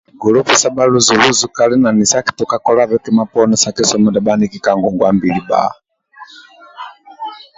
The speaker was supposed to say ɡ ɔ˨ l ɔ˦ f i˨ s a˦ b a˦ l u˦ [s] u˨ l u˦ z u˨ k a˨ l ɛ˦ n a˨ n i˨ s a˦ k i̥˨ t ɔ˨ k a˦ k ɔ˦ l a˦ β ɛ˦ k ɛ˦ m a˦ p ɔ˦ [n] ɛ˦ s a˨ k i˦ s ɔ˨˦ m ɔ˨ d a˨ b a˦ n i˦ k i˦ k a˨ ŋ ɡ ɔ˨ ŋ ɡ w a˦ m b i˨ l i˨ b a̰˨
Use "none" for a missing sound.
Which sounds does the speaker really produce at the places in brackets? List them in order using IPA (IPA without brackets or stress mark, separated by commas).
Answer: z, n